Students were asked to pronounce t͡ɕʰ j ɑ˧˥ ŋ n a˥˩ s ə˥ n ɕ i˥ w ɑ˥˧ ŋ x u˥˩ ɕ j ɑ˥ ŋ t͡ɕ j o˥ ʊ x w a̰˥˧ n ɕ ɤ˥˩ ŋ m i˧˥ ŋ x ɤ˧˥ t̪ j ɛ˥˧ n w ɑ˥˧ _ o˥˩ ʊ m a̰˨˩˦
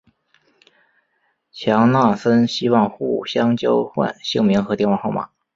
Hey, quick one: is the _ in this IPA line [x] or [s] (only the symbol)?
x